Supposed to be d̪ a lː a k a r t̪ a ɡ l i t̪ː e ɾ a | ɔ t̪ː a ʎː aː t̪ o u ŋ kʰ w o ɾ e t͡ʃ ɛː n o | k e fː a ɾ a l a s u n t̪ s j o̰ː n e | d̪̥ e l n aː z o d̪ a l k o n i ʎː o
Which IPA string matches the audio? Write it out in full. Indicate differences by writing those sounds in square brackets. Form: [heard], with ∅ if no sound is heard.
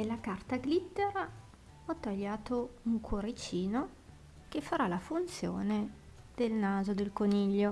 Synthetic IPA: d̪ [e] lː a k a r t̪ a ɡ l i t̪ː e ɾ a | ɔ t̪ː a ʎː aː t̪ o u ŋ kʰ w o ɾ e t͡ʃ [iː] n o | k e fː a ɾ a l a [f] u n t̪ s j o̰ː n e | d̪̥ e l n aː z o d̪ [e] l k o n i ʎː o

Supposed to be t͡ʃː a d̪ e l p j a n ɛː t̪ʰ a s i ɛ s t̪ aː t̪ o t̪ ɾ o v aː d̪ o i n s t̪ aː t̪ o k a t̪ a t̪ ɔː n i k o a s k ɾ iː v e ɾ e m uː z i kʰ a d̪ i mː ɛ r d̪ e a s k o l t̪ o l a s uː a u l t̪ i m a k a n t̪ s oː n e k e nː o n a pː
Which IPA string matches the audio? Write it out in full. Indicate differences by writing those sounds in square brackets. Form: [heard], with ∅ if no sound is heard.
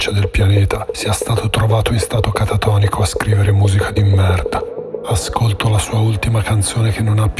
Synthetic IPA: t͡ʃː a d̪ e l p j a n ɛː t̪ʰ a s i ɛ s t̪ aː t̪ o t̪ ɾ o v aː [t̪] o i n s t̪ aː t̪ o k a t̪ a t̪ ɔː n i k o a s k ɾ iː v e ɾ e m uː z i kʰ a d̪ i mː ɛ r d̪ [a] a s k o l t̪ o l a s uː a u l t̪ i m a k a n t̪ s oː n e k e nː o n a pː

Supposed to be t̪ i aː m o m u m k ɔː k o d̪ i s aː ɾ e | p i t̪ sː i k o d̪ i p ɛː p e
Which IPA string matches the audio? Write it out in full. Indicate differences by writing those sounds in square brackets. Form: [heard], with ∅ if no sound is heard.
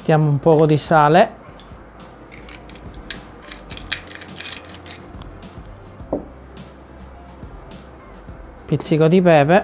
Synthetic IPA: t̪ [j] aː m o [∅] u m [p] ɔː k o d̪ i s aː [l] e | p i t̪ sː i k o d̪ i p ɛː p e

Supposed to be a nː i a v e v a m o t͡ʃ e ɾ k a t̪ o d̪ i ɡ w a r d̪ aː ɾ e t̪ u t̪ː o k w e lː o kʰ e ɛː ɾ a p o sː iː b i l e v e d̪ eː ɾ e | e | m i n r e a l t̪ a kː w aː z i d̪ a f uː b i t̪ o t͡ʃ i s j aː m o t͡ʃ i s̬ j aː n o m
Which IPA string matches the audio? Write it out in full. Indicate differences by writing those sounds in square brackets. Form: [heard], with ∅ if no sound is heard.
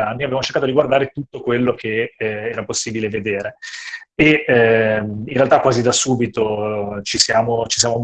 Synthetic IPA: a nː i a v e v a m o t͡ʃ e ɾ k a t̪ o d̪ i ɡ w a r d̪ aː ɾ e t̪ u t̪ː o k w e lː o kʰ e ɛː ɾ a p o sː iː b i l e v e d̪ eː ɾ e | e | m i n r e a l t̪ a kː w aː z i d̪ a [s] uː b i t̪ o t͡ʃ i s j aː m o t͡ʃ i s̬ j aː [m] o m

